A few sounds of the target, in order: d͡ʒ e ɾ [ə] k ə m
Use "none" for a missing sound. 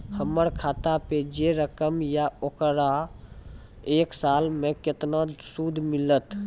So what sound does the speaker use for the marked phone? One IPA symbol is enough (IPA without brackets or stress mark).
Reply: ə